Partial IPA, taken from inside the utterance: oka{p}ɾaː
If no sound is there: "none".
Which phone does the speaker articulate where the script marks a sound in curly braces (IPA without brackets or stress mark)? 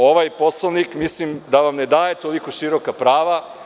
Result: p